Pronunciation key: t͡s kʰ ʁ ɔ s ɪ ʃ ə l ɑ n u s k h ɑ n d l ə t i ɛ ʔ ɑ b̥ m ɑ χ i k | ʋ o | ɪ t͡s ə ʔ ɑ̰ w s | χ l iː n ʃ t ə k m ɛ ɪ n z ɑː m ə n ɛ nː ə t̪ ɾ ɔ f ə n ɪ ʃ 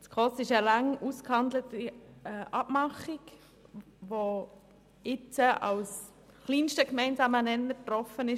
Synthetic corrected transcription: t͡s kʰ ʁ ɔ s ɪ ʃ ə l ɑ ŋ u s k h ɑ n d l ə t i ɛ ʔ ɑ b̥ m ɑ χ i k | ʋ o | ɪ t͡s ə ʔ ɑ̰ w s | χ l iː n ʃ t ə k m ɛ ɪ n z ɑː m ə n ɛ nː ə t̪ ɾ ɔ f ə n ɪ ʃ